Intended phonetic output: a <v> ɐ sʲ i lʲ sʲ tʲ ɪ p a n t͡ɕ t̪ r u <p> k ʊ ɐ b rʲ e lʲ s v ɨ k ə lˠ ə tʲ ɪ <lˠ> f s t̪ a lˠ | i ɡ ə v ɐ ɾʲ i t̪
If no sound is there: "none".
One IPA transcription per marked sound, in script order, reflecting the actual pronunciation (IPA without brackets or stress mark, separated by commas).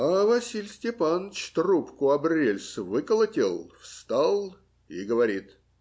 v, p, lˠ